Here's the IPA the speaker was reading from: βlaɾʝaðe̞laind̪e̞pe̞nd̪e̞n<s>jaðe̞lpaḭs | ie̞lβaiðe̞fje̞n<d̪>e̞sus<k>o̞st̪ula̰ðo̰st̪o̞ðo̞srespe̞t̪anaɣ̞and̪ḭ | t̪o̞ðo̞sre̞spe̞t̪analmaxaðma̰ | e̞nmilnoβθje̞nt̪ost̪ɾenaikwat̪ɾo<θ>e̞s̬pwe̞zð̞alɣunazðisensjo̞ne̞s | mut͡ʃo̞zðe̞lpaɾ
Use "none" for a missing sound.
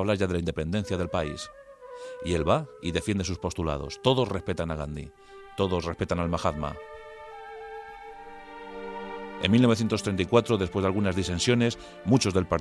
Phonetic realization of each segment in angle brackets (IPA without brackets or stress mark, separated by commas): θ, d̪, p, ð